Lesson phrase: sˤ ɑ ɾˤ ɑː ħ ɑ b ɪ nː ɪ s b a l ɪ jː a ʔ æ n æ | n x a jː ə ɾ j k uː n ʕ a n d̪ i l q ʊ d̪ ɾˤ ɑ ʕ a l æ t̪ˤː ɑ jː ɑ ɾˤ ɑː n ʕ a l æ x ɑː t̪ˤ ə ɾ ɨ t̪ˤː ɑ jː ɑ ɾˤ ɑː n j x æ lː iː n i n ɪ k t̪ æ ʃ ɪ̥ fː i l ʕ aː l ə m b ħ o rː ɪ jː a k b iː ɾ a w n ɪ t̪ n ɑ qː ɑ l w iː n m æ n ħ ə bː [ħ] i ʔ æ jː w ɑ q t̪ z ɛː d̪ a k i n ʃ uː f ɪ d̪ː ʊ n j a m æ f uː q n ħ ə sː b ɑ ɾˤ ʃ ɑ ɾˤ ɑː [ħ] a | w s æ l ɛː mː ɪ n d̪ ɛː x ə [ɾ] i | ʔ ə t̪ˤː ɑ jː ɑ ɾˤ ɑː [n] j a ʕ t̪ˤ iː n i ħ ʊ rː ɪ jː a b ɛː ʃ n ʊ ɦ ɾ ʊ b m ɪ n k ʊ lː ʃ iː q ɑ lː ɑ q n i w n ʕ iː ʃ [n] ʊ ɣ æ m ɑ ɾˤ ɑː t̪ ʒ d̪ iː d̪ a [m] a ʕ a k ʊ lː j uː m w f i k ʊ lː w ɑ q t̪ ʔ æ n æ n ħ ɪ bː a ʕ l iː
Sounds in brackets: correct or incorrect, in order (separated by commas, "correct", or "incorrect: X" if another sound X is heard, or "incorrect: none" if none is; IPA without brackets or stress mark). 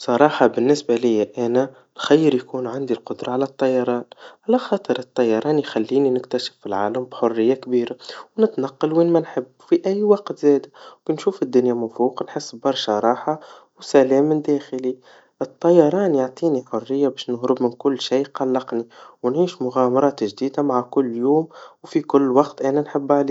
incorrect: f, correct, incorrect: l, correct, incorrect: m, correct